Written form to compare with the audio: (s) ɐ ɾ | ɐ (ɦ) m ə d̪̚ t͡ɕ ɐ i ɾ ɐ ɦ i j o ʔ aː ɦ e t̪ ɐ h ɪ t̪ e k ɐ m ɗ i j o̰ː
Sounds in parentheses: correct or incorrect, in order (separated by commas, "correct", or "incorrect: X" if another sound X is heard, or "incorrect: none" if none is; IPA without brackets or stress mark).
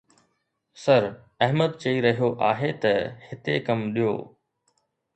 correct, correct